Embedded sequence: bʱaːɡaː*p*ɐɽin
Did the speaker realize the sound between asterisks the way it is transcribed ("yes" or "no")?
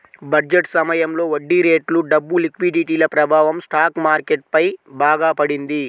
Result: yes